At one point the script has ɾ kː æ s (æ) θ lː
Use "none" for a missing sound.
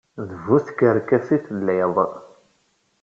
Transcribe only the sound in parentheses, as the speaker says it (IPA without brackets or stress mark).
i